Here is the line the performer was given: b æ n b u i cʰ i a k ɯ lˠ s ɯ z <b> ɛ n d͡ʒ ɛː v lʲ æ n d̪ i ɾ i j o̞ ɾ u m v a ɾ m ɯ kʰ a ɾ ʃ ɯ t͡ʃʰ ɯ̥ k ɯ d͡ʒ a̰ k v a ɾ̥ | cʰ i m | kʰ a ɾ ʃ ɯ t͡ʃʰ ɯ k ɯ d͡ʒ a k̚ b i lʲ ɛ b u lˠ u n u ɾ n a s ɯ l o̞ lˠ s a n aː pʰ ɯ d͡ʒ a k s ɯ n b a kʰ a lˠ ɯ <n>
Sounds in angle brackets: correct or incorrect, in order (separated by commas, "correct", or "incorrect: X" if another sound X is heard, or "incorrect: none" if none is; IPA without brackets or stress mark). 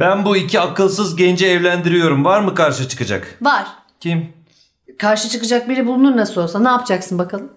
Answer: incorrect: ɟ, incorrect: m